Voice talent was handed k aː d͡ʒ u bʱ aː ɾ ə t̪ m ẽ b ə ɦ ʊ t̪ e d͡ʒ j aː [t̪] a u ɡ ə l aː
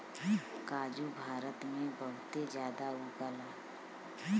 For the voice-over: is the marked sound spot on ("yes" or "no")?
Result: no